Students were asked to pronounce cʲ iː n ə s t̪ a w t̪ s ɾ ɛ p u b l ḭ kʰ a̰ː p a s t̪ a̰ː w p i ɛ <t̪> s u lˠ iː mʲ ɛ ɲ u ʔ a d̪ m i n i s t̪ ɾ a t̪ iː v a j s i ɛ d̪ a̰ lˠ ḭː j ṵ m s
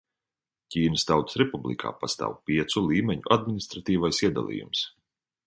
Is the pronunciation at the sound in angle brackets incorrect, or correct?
correct